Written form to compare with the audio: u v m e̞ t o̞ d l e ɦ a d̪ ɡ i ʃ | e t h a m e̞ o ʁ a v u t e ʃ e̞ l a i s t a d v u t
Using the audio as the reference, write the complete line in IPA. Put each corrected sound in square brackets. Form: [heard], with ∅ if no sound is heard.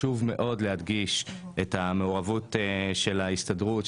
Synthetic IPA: u v m e̞ [ʔ] o̞ d l e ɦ a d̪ ɡ i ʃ | e t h a m e̞ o ʁ a v u t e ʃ e̞ l a i s t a d [ʁ] u t